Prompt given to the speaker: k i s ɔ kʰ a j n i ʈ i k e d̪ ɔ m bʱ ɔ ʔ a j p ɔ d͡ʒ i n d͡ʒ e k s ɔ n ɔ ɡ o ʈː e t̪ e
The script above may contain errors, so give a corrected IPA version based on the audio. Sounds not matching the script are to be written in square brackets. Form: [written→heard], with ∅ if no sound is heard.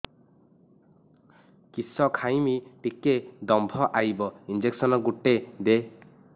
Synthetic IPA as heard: k i s ɔ kʰ a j [n→m] i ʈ i k e d̪ ɔ m bʱ ɔ ʔ a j [p→b] ɔ [d͡ʒ→∅] i n d͡ʒ e k s ɔ n ɔ ɡ [o→u] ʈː e [t̪→d̪] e